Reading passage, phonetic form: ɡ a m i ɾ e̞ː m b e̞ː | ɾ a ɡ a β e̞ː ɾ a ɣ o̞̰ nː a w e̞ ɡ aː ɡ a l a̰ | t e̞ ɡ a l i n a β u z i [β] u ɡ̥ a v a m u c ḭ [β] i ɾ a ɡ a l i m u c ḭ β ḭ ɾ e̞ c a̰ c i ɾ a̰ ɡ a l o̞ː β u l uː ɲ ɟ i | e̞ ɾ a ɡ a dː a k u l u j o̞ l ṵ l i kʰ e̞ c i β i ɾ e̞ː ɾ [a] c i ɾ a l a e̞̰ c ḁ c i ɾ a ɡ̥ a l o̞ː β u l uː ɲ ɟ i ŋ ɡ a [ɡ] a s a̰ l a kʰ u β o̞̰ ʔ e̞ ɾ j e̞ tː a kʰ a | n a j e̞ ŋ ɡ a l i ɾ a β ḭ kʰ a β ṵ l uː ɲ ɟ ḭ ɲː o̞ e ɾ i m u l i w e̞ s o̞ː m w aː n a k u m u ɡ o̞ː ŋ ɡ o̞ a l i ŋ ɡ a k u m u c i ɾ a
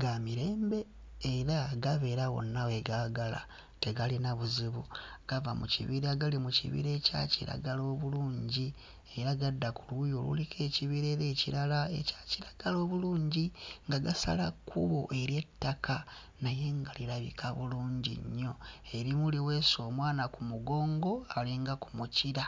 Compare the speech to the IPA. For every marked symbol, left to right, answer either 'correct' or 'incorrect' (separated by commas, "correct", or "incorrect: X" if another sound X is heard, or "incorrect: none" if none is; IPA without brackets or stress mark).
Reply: correct, correct, incorrect: e, correct